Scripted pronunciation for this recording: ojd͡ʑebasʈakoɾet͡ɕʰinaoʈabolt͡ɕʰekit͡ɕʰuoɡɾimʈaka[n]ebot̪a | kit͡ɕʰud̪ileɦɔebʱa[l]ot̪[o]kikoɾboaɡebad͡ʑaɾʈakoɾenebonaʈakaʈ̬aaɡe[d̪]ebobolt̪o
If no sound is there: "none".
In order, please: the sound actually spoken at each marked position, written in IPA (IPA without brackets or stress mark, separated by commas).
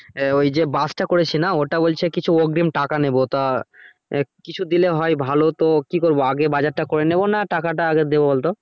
n, l, o, d̪